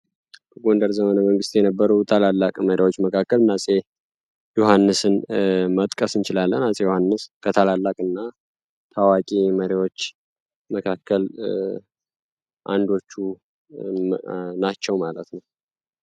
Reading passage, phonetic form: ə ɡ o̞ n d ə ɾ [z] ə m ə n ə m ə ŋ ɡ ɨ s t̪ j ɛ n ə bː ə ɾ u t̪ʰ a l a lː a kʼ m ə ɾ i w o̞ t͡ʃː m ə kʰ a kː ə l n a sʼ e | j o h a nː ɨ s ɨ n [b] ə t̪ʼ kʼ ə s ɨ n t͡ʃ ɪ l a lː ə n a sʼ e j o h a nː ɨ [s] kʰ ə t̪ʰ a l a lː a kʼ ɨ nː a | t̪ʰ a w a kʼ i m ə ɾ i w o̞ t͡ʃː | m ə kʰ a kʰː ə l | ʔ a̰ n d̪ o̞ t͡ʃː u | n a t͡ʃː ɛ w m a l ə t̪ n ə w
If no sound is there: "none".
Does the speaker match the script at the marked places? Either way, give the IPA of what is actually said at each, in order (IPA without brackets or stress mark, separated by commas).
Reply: z, m, s